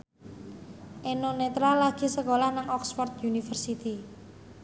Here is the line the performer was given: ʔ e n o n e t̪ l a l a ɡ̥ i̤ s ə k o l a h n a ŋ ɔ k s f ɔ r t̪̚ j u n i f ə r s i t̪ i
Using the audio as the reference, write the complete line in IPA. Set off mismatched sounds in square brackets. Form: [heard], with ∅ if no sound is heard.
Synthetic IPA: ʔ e n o n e t̪ [ɾ] a l a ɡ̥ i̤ s ə k o l a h n a ŋ ɔ k s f ɔ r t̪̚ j u n i f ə r s i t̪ i